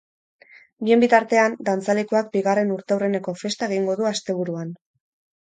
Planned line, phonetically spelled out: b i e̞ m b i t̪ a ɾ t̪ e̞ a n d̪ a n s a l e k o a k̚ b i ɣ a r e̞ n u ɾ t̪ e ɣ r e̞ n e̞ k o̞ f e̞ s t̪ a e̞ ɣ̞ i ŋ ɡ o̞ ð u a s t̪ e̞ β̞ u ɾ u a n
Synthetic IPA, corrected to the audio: b i e̞ m b i t̪ a ɾ t̪ e̞ a n d̪ a n t͡s a l e k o a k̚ b i ɣ a r e̞ n u ɾ t̪ e w r e̞ n e̞ k o̞ f e̞ s t̪ a e̞ ɣ̞ i ŋ ɡ o̞ ð u a s t̪ e̞ β̞ u ɾ u a n